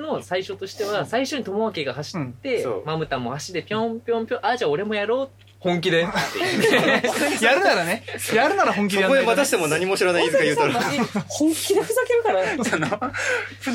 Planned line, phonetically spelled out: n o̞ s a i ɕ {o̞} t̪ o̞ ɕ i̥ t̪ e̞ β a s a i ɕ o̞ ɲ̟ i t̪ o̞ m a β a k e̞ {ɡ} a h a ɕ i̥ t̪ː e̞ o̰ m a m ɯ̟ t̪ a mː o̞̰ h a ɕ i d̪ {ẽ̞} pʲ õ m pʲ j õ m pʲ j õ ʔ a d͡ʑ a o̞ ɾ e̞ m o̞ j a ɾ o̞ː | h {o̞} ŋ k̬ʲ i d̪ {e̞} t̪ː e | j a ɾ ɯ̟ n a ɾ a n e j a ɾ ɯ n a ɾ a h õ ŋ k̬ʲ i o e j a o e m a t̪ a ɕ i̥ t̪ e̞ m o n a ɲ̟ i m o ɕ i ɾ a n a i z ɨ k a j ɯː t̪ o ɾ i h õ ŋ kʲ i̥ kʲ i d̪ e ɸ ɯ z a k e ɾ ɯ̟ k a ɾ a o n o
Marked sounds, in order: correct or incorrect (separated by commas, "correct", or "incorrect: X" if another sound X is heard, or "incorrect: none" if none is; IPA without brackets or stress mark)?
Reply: correct, correct, incorrect: e̞, incorrect: õ̞, correct